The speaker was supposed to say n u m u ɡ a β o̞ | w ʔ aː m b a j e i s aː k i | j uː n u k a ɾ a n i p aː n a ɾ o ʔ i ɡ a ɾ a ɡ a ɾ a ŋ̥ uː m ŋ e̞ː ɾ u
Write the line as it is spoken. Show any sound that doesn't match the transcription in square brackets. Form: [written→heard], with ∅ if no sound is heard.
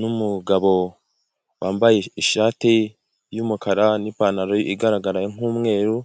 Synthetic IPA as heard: n u m u ɡ a β o̞ | w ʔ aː m b a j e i [s→ʃ] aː [k→t] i | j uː [n→m] u k a ɾ a n i p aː n a ɾ o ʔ i ɡ a ɾ a ɡ a ɾ a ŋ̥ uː m ŋ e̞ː ɾ u